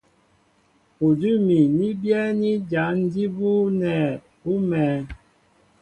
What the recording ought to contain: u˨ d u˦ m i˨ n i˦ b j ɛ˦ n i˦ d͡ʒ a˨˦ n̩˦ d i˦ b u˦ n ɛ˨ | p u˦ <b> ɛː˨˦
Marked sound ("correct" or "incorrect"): incorrect